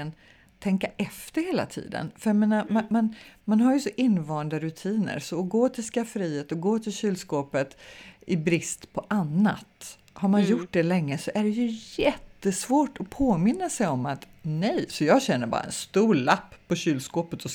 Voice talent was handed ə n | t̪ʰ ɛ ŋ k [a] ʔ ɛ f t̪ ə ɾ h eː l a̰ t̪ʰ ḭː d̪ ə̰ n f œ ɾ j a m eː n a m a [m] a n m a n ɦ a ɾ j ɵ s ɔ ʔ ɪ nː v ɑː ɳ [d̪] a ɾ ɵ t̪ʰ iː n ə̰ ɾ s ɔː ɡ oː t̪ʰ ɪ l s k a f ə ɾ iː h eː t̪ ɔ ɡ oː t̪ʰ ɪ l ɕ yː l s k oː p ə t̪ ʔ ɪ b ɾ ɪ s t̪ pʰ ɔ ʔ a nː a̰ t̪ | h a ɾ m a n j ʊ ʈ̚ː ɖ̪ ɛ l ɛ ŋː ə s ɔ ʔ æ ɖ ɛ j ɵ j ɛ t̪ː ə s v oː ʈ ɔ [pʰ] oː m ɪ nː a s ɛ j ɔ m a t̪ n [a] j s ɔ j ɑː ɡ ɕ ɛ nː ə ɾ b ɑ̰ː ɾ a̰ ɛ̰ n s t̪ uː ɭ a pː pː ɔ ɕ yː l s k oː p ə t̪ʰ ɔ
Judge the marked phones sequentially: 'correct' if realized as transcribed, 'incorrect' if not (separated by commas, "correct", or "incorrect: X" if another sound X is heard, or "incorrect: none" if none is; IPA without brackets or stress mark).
correct, correct, correct, correct, incorrect: ɛ